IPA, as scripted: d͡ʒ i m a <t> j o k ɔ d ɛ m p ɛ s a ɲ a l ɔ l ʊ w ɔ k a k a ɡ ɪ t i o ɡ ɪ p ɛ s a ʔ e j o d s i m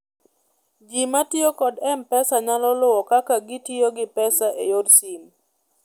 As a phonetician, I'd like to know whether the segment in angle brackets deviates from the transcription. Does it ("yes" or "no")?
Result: no